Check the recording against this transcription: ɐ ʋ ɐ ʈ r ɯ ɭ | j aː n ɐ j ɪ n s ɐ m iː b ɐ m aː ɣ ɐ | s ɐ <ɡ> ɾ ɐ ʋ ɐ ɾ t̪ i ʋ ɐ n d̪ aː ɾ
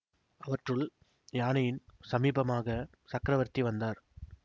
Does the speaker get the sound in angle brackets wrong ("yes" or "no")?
yes